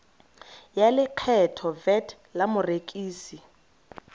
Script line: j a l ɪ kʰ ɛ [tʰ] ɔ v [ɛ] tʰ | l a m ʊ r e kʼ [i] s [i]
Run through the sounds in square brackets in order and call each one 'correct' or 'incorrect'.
correct, correct, incorrect, correct

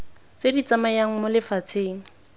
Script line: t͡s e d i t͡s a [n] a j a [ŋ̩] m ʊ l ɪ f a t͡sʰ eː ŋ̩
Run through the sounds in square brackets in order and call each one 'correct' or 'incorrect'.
incorrect, correct

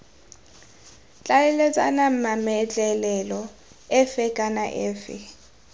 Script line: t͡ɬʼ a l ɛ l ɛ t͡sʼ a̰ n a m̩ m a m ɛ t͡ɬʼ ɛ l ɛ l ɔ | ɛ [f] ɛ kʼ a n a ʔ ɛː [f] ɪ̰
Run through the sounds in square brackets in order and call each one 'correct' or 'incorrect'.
correct, correct

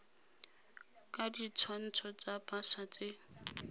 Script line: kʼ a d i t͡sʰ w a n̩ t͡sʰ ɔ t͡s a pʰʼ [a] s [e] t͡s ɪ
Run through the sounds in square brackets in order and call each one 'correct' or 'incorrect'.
correct, incorrect

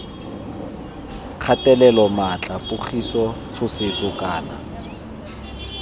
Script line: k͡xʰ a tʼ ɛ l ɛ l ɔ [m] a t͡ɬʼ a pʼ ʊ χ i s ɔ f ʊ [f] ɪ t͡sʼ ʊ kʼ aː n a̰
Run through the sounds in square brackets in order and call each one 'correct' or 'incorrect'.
correct, incorrect

